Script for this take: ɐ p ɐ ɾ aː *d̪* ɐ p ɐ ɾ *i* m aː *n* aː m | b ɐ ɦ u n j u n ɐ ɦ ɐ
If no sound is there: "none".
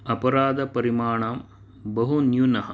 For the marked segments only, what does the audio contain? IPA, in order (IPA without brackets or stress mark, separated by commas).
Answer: d̪, i, ɳ